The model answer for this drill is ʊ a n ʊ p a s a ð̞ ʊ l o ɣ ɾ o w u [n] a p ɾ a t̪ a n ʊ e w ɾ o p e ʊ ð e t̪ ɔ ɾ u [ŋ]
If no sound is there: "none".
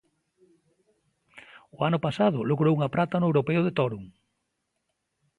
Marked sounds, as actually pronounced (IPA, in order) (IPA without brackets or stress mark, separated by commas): ŋ, ŋ